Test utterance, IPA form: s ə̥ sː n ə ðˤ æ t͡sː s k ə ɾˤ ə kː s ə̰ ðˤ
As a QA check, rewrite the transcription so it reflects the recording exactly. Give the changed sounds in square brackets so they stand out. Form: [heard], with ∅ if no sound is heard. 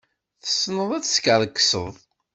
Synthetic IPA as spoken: [θ] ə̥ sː n ə ðˤ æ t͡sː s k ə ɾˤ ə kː s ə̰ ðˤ